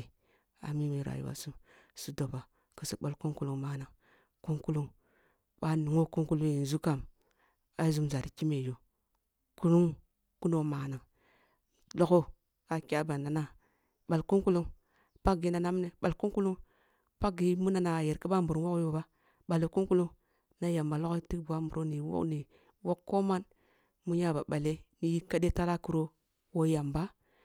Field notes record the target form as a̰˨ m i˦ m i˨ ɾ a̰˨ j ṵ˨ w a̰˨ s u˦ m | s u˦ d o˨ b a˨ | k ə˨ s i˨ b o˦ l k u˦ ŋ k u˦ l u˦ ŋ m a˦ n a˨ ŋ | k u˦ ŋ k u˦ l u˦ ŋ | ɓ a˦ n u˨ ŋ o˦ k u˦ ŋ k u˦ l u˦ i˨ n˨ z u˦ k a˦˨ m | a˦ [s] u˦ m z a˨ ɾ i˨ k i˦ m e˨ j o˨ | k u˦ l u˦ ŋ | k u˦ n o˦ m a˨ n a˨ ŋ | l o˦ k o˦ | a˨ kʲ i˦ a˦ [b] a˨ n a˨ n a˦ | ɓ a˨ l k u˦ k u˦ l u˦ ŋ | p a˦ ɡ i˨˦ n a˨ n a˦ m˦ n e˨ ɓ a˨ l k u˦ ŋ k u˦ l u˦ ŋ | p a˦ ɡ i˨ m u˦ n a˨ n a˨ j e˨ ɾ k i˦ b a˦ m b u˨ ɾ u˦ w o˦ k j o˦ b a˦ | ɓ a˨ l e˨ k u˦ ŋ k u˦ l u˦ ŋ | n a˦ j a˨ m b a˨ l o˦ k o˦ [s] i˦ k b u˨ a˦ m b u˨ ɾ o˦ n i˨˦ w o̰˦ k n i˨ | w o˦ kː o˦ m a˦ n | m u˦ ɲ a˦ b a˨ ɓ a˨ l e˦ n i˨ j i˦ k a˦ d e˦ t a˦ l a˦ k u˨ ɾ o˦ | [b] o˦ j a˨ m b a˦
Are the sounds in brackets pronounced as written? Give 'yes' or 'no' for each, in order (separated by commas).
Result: no, yes, no, no